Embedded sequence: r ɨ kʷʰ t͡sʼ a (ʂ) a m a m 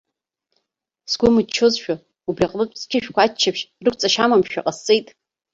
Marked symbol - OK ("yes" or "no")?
no